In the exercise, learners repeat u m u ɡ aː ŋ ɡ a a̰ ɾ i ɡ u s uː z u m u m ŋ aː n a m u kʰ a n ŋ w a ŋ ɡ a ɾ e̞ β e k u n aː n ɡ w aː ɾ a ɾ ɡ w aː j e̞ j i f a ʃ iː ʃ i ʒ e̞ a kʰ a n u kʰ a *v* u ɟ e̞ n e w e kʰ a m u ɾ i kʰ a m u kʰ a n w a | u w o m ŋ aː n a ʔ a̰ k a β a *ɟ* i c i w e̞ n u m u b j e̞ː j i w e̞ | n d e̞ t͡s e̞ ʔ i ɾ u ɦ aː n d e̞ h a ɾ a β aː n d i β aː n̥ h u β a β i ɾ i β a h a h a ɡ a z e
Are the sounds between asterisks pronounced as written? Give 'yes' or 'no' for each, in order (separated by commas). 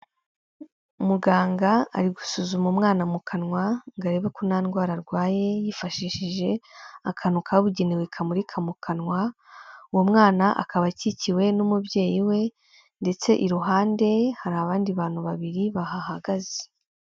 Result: no, no